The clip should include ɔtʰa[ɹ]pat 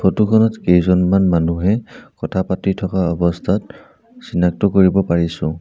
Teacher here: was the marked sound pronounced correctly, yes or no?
no